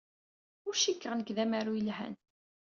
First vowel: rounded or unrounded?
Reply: rounded